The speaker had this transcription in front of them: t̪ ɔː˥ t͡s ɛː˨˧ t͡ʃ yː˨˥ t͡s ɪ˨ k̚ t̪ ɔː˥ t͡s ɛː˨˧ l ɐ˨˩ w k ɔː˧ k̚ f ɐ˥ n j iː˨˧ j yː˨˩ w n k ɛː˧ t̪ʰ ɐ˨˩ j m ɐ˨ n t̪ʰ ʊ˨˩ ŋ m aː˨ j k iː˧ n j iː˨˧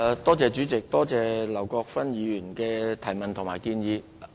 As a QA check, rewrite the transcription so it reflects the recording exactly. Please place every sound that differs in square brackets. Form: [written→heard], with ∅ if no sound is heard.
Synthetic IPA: t̪ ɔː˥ t͡s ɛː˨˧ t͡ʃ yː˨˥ t͡s ɪ˨ k̚ t̪ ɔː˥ t͡s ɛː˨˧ l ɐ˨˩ w k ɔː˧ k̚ f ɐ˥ n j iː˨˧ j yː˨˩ [w→∅] n k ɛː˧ t̪ʰ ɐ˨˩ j m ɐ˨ n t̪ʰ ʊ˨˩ ŋ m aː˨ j k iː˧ n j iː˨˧